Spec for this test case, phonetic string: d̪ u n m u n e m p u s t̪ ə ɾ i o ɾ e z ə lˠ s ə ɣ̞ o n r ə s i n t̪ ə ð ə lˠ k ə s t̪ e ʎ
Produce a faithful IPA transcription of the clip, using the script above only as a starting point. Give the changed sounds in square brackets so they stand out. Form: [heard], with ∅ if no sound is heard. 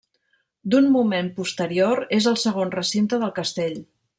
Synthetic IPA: d̪ u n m u [m] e m p u s t̪ ə ɾ i o ɾ e z ə lˠ s ə ɣ̞ o n r ə s i n t̪ ə ð ə lˠ k ə s t̪ e ʎ